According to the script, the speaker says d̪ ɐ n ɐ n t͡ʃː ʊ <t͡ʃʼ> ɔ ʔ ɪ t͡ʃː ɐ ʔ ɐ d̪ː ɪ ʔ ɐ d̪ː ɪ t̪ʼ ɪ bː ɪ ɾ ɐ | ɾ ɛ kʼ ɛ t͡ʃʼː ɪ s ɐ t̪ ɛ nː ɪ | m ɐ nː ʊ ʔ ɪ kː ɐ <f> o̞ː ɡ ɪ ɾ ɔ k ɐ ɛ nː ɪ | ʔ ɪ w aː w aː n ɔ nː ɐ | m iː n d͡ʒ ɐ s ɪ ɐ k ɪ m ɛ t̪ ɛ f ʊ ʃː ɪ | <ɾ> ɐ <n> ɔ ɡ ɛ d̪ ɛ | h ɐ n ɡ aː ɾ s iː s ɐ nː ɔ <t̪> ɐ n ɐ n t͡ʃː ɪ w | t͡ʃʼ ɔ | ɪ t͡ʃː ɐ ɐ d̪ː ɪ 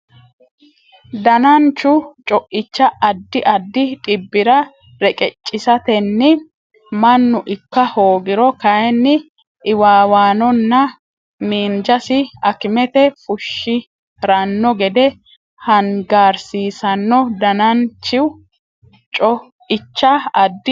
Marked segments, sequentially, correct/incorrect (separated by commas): correct, incorrect, correct, incorrect, incorrect